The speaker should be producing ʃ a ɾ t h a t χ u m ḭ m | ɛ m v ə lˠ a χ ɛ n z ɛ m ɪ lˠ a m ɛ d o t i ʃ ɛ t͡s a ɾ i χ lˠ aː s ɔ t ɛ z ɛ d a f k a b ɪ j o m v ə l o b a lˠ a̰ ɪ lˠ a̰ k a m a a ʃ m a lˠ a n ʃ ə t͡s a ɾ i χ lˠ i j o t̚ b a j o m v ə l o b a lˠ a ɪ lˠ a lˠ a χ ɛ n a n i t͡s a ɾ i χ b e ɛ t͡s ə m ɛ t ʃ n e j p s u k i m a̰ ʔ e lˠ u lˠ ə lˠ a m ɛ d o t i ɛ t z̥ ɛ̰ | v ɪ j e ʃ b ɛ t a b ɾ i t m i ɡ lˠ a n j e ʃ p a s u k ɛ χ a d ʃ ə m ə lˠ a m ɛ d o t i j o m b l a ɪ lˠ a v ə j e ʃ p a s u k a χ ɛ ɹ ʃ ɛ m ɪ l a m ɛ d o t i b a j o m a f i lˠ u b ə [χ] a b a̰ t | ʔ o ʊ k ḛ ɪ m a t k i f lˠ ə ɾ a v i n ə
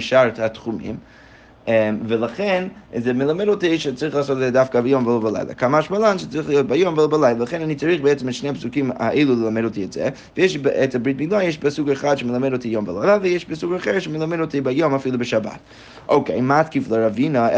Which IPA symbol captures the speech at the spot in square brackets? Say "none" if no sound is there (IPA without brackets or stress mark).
ʃ